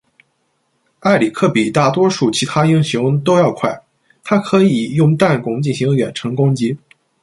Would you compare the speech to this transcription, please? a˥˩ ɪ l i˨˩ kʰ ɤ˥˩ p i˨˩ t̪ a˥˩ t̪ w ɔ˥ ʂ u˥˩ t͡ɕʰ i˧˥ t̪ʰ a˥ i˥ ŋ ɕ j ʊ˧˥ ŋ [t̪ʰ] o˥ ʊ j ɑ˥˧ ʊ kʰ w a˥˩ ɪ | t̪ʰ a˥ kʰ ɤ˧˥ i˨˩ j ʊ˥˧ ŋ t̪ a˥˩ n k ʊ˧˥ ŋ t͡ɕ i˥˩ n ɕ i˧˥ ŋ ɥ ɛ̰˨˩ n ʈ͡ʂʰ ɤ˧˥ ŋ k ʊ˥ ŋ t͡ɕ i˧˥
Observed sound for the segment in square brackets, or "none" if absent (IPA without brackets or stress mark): t̪